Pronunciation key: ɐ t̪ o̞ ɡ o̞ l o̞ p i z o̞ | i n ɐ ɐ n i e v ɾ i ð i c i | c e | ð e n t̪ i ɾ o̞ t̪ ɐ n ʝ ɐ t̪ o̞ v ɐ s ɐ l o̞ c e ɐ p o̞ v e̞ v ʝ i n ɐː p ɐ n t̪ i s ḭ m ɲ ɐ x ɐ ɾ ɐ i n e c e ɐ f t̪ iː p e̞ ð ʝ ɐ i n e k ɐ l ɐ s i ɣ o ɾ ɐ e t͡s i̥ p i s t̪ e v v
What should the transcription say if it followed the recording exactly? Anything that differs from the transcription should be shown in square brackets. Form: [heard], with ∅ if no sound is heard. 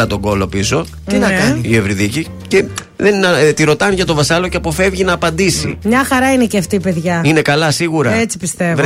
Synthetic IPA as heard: ɐ t̪ o̞ ɡ o̞ l o̞ p i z o̞ | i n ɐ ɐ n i e v ɾ i ð i c i | c e | ð e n t̪ i ɾ o̞ t̪ ɐ n ʝ ɐ t̪ o̞ v ɐ s ɐ l o̞ c e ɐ p o̞ [f] e̞ v ʝ i n ɐː p ɐ n [d̪] i s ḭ m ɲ ɐ x ɐ ɾ ɐ i n e c e ɐ f t̪ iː p e̞ ð ʝ ɐ i n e k ɐ l ɐ s i ɣ [u] ɾ ɐ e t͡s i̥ p i s t̪ e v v